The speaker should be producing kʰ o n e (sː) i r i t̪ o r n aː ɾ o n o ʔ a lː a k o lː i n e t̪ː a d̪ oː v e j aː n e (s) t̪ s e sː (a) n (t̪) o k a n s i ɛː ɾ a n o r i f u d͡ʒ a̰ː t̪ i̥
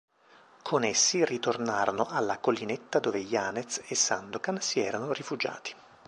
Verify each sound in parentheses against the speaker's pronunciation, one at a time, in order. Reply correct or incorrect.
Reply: correct, incorrect: none, correct, incorrect: d̪

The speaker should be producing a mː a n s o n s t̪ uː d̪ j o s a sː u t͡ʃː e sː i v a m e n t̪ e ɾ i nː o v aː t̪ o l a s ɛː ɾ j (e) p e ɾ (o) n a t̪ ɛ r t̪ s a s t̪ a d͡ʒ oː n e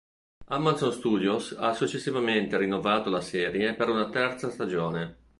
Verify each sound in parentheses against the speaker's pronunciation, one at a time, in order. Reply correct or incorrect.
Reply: correct, incorrect: u

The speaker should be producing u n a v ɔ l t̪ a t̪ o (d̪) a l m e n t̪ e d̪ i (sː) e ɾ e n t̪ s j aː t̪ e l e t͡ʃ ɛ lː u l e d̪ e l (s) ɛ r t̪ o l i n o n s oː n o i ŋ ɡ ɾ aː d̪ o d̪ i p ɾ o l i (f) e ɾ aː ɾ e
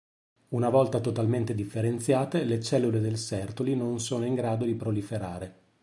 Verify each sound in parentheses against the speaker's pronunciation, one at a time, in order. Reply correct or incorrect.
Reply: incorrect: t̪, incorrect: fː, correct, correct

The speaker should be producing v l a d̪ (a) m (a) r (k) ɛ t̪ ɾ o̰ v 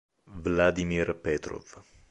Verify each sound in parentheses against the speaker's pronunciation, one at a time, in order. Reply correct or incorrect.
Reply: incorrect: i, incorrect: i, incorrect: p

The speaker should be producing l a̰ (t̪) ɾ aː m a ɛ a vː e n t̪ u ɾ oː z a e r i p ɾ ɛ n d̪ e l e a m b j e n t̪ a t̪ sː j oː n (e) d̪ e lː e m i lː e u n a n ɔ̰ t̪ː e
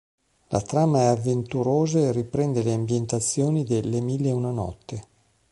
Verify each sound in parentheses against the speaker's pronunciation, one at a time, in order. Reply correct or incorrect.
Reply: correct, incorrect: i

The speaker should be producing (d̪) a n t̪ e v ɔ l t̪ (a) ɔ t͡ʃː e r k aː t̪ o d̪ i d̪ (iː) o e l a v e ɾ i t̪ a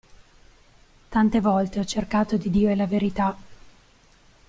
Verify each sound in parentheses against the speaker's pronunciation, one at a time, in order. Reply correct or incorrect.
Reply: incorrect: t̪, incorrect: e, correct

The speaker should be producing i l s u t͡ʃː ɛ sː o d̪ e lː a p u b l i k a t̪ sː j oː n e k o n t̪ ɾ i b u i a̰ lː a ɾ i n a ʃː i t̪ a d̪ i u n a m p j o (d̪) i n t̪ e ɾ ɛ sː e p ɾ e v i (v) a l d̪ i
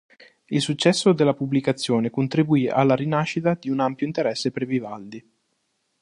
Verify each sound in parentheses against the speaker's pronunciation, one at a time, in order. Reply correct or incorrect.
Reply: incorrect: none, correct

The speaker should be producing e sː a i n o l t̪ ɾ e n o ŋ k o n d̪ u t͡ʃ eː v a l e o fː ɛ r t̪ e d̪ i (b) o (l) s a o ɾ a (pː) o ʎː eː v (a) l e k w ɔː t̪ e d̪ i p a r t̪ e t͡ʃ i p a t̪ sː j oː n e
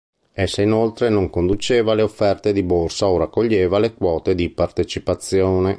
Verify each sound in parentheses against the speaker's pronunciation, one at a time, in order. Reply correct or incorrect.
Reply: correct, incorrect: r, incorrect: kː, correct

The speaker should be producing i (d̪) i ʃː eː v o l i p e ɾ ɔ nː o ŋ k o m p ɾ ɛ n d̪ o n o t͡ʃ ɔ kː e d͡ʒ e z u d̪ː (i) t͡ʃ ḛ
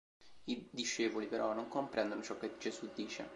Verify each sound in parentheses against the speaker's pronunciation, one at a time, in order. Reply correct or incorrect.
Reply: correct, incorrect: iː

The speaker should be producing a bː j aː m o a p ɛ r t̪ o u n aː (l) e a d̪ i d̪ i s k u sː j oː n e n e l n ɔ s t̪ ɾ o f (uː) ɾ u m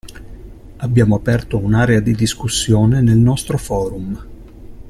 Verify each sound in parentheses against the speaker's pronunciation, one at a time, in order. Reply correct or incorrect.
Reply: incorrect: ɾ, incorrect: ɔː

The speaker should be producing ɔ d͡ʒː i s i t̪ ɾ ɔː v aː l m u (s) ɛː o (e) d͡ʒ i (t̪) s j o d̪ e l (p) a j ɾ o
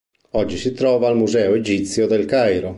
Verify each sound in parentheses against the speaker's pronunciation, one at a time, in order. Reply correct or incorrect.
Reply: incorrect: z, correct, correct, incorrect: k

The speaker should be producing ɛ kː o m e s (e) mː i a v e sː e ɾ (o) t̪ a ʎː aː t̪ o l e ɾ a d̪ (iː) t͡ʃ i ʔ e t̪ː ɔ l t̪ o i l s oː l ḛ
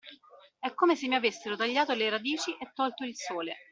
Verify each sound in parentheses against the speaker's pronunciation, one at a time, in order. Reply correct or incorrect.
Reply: correct, correct, correct

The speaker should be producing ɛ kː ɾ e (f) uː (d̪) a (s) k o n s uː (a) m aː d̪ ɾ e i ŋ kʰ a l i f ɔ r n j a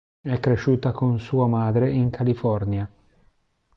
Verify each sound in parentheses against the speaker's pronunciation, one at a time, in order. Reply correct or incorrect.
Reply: incorrect: ʃ, incorrect: t̪, incorrect: none, correct

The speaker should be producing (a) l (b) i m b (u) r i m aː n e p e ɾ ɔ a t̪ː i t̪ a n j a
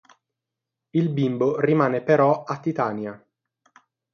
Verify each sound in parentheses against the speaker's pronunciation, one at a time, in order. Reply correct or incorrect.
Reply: incorrect: i, correct, incorrect: o

